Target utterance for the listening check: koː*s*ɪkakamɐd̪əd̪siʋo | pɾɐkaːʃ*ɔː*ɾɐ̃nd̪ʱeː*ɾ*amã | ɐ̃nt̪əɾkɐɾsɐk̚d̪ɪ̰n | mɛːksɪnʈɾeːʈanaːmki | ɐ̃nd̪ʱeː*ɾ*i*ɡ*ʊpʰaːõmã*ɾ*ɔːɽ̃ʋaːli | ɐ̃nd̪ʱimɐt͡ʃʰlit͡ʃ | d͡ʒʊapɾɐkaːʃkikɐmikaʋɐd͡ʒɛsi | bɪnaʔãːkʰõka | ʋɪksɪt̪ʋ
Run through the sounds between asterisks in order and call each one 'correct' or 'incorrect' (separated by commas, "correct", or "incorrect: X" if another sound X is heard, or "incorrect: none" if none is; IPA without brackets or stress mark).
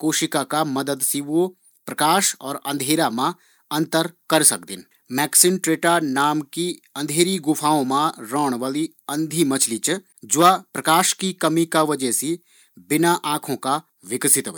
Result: incorrect: ʃ, correct, correct, correct, correct, correct